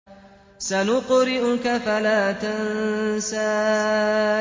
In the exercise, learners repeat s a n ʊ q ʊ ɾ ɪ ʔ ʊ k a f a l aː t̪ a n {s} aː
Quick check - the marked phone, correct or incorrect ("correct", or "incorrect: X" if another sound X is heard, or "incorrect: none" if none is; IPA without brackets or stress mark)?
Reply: correct